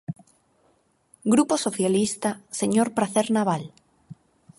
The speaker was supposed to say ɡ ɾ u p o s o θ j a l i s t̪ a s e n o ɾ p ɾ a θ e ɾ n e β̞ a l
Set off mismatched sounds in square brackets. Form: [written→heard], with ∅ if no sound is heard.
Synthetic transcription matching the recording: ɡ ɾ u p o s o θ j a l i s t̪ a s e [n→ɲ] o ɾ p ɾ a θ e ɾ n [e→a] β̞ a l